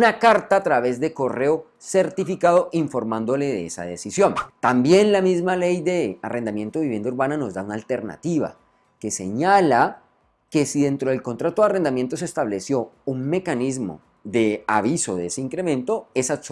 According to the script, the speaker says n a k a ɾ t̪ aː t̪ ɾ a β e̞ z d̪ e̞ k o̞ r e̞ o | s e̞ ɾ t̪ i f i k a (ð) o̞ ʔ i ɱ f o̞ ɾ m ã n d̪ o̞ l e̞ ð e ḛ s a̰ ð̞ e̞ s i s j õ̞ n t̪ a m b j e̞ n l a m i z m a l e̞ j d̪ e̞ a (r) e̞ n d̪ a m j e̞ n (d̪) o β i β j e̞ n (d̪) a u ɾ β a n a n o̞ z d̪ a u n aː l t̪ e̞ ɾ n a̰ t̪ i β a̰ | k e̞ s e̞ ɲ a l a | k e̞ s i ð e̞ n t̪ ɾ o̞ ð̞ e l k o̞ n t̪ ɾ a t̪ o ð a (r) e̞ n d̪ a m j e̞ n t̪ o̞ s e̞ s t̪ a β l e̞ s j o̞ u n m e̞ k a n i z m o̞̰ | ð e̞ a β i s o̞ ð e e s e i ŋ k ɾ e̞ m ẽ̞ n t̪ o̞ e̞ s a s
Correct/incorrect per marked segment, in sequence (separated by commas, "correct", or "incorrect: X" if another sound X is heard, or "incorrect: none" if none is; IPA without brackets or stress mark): correct, correct, incorrect: t̪, correct, correct